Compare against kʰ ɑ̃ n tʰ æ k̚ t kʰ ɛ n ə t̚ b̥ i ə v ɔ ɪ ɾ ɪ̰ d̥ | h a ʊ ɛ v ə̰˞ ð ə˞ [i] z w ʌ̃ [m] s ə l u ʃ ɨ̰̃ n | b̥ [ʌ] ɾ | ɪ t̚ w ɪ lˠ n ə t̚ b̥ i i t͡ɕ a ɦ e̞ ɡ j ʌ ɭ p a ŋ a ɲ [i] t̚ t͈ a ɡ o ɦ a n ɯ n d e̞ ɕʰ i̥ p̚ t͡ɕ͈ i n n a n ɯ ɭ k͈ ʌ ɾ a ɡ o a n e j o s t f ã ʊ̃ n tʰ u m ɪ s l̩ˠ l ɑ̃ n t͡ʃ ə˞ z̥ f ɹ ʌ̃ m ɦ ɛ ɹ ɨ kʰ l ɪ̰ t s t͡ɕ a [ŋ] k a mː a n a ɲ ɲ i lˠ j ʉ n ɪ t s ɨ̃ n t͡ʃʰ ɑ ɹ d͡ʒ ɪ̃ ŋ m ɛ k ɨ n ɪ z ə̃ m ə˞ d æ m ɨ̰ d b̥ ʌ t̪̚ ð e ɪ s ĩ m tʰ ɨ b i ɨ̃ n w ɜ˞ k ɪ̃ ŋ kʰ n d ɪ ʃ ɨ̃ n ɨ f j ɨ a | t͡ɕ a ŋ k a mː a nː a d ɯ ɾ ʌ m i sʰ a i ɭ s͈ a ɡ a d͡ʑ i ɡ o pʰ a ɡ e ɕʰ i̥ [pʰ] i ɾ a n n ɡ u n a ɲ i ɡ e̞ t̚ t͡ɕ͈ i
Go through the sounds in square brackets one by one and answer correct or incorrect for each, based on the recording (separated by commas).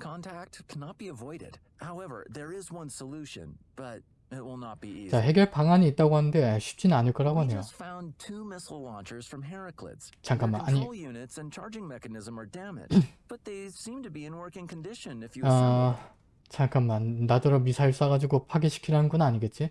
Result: incorrect, incorrect, correct, incorrect, correct, incorrect